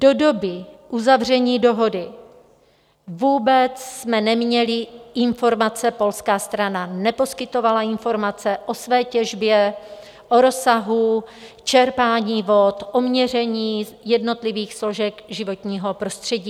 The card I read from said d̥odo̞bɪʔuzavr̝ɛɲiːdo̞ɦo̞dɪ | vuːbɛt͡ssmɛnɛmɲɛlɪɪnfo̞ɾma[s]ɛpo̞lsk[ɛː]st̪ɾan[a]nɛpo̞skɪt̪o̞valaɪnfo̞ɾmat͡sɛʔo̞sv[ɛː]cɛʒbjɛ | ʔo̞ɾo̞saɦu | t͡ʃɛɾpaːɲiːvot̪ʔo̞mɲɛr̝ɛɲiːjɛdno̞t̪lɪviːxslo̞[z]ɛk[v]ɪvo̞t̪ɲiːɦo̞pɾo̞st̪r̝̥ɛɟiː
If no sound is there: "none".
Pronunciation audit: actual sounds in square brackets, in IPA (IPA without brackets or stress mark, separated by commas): t͡s, aː, a, ɛː, ʒ, ʒ